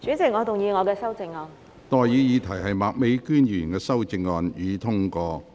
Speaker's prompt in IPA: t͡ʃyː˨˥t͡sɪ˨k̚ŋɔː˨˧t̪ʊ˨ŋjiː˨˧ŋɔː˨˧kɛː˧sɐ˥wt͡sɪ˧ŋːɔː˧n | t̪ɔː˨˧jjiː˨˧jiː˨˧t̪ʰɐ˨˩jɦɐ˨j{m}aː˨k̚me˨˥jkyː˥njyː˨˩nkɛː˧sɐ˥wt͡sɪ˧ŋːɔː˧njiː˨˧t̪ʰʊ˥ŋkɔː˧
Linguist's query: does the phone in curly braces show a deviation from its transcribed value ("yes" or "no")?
no